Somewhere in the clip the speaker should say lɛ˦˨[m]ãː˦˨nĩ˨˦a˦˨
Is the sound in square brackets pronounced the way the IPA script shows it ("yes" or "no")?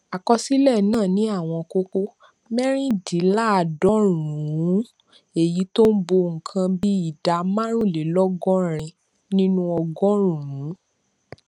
no